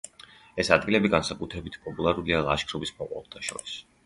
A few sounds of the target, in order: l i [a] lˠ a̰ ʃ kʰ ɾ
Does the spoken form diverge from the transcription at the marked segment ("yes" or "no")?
no